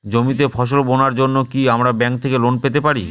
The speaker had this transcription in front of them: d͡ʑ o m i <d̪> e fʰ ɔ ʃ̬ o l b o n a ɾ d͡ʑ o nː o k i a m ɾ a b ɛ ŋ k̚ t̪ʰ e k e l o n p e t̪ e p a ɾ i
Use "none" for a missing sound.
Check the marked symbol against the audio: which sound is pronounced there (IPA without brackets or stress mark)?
t̪